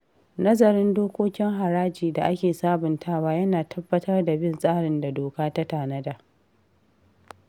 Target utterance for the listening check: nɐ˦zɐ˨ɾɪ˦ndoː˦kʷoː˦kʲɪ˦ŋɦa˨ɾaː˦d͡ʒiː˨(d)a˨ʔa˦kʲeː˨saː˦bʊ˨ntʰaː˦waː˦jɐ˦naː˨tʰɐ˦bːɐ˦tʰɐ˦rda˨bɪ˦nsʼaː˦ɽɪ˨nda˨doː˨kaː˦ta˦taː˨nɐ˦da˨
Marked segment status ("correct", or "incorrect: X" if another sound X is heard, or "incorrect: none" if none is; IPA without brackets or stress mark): correct